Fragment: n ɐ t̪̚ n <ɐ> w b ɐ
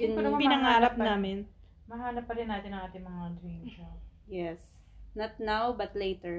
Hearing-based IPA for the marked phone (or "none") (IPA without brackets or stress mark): a